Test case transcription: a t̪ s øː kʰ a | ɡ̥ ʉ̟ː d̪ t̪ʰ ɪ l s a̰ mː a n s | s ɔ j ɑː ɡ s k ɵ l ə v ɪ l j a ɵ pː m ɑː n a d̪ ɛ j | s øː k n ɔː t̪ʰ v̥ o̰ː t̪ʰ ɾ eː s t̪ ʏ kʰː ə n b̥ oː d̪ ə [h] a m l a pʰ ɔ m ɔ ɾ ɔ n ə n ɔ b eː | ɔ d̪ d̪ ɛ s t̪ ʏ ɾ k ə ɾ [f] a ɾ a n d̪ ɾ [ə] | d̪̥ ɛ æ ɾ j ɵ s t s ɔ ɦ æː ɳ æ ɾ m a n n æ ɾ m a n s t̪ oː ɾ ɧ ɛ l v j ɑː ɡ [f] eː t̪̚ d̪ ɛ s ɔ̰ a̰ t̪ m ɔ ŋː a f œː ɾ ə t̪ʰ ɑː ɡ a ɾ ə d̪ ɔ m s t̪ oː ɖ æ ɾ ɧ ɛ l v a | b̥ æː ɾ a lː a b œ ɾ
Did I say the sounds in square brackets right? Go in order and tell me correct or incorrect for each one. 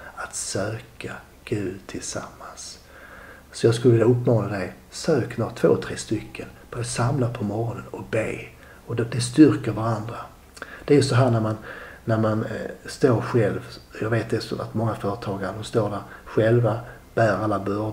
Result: incorrect, incorrect, incorrect, incorrect

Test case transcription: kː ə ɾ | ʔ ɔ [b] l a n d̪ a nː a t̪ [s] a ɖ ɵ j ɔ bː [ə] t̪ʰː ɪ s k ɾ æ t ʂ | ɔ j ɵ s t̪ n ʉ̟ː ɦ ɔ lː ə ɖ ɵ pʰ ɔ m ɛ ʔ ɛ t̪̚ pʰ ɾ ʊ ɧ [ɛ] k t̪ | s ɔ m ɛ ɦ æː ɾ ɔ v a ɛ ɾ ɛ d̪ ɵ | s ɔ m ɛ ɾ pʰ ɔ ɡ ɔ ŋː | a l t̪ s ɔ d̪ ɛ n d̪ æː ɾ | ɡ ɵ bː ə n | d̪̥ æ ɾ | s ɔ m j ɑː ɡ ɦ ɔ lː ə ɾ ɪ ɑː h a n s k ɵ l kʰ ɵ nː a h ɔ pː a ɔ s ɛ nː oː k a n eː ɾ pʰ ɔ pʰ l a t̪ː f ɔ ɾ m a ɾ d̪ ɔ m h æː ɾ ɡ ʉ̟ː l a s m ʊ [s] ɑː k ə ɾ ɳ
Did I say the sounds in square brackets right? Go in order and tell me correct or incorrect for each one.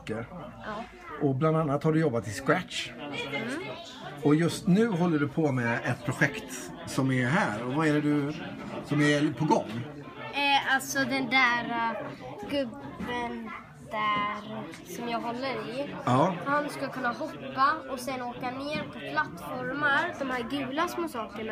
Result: correct, incorrect, incorrect, correct, correct

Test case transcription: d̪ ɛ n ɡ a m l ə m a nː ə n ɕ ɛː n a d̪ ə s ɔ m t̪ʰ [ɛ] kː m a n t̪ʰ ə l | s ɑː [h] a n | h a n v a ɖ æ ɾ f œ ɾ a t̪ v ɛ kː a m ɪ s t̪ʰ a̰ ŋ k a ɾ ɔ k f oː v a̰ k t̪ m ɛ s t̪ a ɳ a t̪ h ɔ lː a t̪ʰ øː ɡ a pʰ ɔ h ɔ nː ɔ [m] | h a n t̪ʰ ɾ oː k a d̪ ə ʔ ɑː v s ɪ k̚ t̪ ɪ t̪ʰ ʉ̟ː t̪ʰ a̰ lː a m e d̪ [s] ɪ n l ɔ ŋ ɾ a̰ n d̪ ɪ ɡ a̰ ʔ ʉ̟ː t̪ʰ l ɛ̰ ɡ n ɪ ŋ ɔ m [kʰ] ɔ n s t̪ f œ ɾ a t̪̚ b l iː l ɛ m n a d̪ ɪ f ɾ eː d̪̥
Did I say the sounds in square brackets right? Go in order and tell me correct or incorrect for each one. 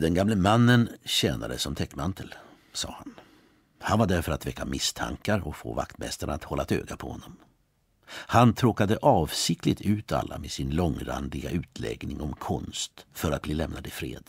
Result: correct, correct, correct, correct, correct

